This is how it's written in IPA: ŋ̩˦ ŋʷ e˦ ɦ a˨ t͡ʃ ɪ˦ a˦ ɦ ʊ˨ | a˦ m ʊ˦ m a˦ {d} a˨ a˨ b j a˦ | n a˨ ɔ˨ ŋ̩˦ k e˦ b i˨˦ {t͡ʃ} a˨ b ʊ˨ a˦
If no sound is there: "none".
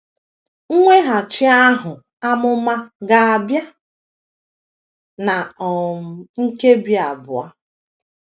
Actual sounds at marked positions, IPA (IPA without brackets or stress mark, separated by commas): ɡ, none